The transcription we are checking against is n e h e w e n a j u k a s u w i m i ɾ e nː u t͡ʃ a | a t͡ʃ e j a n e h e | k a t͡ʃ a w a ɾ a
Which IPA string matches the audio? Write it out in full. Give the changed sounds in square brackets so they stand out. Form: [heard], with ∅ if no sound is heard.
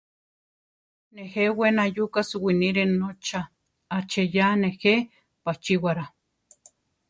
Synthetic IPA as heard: n e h e w e n a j u k a s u w i [n] i ɾ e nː [o] t͡ʃ a | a t͡ʃ e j a n e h e | [p] a t͡ʃ [i] w a ɾ a